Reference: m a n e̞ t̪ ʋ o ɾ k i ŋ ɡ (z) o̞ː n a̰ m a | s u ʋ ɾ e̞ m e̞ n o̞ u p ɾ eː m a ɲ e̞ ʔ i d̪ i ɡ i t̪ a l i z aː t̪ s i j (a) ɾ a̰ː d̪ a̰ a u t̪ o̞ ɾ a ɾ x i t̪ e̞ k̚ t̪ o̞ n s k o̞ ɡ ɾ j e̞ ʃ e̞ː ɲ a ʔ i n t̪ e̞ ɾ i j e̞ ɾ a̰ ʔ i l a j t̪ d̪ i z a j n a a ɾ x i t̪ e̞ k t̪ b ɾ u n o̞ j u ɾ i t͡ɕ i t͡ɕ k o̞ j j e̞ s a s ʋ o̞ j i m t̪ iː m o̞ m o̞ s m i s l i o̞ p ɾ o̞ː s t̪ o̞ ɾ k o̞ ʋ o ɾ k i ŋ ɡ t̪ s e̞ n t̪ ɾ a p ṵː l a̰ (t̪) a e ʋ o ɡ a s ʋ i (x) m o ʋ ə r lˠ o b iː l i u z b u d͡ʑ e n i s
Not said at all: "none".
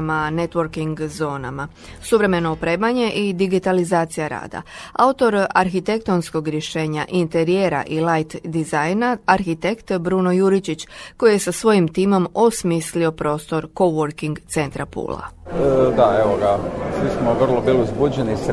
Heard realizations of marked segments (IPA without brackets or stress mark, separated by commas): z, a, d̪, s